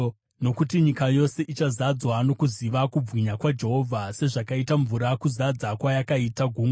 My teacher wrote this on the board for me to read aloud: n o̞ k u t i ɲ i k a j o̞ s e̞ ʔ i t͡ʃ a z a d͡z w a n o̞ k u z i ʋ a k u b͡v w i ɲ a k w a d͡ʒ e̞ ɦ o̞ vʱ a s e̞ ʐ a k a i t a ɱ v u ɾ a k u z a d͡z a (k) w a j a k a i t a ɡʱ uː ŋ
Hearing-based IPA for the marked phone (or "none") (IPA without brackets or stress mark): k